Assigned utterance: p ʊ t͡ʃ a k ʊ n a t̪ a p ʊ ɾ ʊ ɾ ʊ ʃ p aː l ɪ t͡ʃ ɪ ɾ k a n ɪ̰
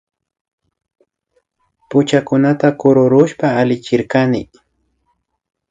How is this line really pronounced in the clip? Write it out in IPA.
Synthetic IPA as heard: p ʊ t͡ʃ a k ʊ n a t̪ a k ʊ ɾ ʊ ɾ ʊ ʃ p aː l ɪ t͡ʃ ɪ ɾ k a n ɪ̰